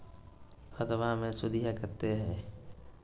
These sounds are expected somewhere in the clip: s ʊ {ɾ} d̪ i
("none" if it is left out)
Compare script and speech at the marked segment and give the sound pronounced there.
none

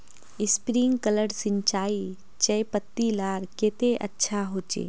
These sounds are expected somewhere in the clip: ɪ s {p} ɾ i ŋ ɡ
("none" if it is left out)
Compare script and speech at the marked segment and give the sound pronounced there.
p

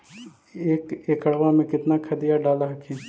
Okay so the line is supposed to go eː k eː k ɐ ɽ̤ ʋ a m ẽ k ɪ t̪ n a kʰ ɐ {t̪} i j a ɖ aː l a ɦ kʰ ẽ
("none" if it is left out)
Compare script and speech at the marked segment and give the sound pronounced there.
d̪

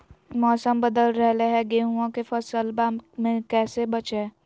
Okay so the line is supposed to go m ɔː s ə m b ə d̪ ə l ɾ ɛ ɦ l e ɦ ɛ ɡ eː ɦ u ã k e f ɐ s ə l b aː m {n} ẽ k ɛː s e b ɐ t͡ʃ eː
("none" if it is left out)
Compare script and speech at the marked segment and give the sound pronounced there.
m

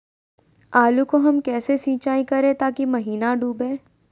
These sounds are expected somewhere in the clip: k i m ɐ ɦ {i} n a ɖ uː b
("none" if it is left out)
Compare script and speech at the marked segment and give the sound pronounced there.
iː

